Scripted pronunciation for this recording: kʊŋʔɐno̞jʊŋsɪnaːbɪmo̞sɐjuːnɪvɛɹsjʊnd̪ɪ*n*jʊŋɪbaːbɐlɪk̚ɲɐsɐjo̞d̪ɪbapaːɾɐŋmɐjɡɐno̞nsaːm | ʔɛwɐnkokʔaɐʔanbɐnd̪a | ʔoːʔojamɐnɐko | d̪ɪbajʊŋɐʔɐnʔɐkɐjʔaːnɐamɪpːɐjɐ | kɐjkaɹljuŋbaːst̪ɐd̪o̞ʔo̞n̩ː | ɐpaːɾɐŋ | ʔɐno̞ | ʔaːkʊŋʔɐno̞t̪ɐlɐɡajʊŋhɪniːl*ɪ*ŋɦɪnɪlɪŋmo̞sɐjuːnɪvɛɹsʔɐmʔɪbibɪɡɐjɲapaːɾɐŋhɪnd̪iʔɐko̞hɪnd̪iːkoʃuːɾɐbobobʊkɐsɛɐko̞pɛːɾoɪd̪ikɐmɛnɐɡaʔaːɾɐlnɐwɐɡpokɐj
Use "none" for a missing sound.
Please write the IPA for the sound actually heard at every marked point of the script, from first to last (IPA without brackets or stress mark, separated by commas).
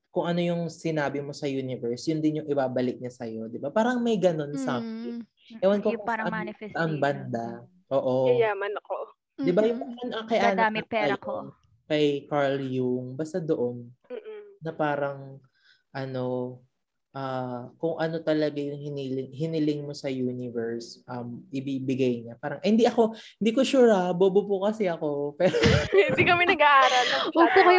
n, ɪ